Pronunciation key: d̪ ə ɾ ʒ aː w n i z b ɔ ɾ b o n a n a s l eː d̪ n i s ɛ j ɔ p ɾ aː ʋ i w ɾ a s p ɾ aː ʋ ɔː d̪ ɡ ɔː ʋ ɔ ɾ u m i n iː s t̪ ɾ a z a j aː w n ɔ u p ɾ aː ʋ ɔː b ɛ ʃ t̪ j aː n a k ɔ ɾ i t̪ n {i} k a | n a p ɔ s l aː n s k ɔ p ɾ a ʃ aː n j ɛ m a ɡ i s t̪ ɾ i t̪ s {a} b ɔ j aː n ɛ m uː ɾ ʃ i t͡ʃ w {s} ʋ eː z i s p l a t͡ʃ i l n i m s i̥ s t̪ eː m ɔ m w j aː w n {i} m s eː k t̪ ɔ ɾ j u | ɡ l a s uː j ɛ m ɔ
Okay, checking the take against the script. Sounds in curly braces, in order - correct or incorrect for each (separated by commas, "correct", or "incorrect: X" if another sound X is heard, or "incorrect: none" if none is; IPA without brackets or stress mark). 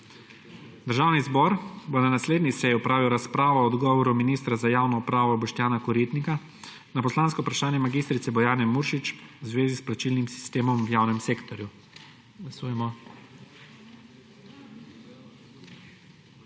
correct, incorrect: ɛ, incorrect: z, incorrect: ɛ